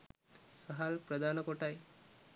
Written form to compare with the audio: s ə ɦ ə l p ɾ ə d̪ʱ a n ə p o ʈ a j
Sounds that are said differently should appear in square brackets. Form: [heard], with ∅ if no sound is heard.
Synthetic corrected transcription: s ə ɦ [a] l p ɾ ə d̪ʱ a n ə [k] o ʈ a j